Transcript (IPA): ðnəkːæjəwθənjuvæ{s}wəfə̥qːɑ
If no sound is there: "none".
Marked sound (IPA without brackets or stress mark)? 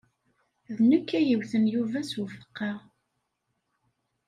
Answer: s